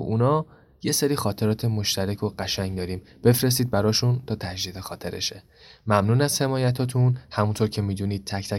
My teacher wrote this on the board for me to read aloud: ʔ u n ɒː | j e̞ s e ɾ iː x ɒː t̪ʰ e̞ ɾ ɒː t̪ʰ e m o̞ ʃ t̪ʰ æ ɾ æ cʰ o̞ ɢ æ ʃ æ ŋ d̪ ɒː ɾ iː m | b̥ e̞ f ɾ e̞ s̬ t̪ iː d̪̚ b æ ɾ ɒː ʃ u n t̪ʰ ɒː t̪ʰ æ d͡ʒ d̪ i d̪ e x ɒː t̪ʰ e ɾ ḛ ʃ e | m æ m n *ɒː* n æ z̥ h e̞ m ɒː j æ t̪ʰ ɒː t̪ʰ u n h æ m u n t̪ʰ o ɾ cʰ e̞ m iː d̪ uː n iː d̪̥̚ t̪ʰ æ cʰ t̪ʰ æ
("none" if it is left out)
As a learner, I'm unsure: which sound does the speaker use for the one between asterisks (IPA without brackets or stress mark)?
uː